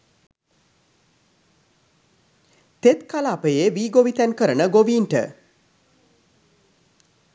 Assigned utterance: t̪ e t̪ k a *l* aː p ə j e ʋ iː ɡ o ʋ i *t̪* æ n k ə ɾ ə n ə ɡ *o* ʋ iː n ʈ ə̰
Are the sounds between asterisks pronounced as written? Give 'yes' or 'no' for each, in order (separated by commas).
yes, yes, yes